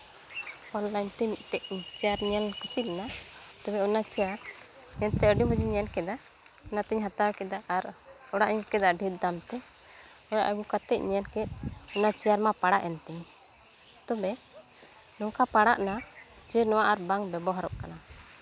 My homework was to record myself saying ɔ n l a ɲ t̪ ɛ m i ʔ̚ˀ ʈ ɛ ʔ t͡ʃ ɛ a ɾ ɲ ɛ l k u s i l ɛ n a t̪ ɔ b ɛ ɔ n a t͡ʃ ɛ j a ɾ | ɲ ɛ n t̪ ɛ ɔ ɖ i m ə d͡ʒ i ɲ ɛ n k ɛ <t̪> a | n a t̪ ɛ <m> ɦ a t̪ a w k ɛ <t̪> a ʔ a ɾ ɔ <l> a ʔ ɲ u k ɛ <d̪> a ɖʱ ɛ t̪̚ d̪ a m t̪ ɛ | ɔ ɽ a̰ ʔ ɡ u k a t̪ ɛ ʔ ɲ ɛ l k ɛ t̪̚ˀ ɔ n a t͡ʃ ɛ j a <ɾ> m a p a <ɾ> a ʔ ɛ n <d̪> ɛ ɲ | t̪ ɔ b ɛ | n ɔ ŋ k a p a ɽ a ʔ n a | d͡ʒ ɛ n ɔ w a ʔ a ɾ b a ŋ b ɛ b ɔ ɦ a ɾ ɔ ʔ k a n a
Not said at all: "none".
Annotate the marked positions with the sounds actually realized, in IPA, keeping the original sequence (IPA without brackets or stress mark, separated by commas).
d̪, ɲ, d̪, ɽ, d̪, ɾ, ɽ, t̪